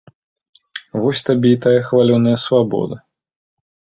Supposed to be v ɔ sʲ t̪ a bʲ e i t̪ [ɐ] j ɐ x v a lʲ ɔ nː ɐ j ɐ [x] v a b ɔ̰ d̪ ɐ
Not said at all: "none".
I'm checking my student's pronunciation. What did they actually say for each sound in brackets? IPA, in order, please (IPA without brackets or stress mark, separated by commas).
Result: a, s